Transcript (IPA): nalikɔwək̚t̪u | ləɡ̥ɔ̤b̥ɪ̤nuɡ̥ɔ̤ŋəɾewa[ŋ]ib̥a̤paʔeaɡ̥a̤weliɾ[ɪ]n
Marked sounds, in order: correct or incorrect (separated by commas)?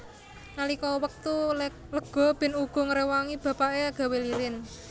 correct, correct